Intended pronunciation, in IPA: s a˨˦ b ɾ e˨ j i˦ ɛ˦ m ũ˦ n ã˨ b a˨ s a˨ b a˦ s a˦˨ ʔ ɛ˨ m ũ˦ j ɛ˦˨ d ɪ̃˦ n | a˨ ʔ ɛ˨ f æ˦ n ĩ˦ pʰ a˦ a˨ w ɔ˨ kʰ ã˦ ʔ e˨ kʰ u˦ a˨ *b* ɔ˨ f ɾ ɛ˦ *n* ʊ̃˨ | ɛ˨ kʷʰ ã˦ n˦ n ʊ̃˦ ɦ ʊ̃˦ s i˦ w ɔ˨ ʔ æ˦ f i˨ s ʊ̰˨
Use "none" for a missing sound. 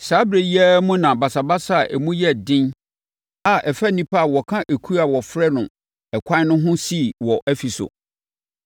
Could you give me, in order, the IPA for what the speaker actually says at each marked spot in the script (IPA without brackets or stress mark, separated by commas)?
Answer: w, n